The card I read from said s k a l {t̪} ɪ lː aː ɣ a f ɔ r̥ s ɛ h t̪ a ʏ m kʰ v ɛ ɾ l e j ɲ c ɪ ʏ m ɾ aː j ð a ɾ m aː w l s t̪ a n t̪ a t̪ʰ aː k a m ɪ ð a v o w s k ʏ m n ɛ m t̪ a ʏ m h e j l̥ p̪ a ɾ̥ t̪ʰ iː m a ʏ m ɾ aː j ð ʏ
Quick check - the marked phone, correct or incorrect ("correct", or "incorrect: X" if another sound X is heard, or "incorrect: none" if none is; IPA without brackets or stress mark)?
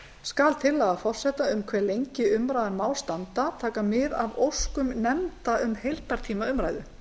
incorrect: t̪ʰ